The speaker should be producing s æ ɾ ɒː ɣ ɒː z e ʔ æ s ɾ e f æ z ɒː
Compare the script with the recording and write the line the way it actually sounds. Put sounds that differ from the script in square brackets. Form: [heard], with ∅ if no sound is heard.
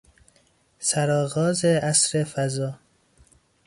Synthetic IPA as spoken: s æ ɾ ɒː ɣ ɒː z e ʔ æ s ɾ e f æ z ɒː